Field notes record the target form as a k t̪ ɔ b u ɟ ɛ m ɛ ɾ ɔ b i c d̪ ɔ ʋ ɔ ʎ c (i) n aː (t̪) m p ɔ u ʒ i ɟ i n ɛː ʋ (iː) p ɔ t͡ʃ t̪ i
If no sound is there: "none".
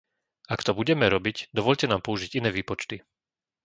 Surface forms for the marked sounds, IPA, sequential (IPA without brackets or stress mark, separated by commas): ɛ, none, iː